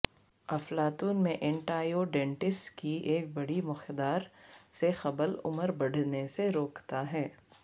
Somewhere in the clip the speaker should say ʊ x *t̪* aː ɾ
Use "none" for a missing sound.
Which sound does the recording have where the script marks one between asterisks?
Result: d̪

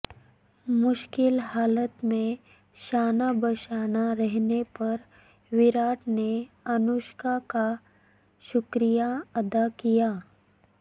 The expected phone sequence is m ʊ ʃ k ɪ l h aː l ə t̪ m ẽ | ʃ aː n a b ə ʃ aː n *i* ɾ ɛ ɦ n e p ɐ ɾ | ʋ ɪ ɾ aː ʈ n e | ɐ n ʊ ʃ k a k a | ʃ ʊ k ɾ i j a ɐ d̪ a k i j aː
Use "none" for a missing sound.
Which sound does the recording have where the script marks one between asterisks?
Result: a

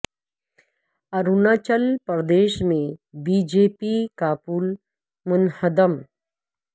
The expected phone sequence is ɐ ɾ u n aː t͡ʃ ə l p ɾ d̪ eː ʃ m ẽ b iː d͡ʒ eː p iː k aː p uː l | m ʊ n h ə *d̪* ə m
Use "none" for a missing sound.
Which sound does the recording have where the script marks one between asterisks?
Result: d̪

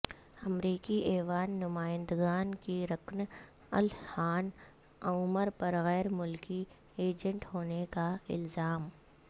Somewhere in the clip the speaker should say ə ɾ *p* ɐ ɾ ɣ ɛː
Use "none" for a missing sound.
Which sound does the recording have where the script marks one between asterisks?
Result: p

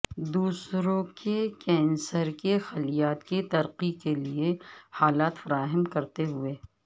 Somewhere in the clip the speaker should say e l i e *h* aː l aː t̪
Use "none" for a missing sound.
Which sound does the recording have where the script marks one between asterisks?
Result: h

